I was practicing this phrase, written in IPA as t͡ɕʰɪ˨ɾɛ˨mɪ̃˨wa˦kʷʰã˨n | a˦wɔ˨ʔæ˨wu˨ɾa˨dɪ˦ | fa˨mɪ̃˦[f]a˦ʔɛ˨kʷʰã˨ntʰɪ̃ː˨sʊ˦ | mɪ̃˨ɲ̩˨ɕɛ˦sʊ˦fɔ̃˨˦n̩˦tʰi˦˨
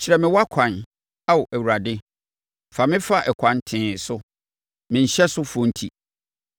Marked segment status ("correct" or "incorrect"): correct